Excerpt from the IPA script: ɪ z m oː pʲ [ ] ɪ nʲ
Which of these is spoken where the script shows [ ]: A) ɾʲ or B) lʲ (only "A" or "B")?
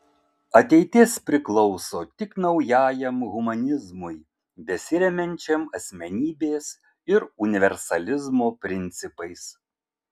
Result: A